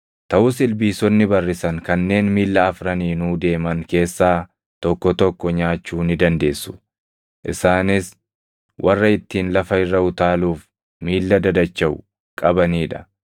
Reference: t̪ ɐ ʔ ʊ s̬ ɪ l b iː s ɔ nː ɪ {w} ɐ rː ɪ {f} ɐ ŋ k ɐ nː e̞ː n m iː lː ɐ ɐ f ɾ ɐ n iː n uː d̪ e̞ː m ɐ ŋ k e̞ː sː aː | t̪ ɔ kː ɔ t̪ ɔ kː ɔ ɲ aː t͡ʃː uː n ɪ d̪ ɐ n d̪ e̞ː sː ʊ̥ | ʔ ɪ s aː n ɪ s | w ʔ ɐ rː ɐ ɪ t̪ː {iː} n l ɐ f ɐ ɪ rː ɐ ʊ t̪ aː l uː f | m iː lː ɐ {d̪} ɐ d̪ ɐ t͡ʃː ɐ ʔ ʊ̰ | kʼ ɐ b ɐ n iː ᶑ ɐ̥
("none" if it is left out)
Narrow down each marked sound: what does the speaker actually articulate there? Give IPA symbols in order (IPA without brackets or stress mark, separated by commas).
b, s, iː, d̪